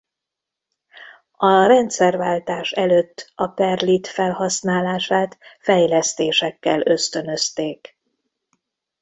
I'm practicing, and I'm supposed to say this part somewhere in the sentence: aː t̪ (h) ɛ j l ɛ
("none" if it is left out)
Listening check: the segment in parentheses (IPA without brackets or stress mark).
f